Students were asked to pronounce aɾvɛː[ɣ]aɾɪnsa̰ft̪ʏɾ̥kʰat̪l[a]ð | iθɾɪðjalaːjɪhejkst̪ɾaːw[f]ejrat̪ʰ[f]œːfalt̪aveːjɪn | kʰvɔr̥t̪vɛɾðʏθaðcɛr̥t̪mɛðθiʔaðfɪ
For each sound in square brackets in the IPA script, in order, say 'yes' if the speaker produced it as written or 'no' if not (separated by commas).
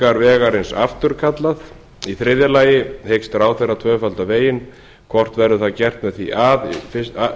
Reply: yes, yes, no, no